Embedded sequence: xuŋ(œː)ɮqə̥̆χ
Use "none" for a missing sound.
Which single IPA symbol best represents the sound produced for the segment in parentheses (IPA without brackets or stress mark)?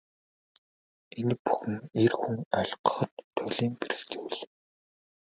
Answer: œ